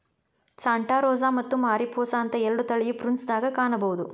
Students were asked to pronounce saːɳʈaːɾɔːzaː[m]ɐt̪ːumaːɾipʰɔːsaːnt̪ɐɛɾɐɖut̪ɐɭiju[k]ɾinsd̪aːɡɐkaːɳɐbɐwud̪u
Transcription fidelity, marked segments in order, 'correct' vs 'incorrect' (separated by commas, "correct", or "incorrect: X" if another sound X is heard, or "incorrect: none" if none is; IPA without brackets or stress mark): correct, incorrect: p